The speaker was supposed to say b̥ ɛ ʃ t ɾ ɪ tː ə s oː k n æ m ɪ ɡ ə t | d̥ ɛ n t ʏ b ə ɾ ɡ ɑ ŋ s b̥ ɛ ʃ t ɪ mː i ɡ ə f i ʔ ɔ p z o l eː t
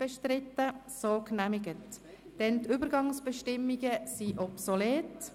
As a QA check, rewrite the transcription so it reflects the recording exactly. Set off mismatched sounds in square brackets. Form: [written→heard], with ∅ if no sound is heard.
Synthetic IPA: b̥ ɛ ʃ t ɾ ɪ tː ə s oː k n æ m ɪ ɡ ə t | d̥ ɛ n t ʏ b ə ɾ ɡ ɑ ŋ s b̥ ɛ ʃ t ɪ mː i ɡ ə [f→s] i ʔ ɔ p [z→s] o l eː t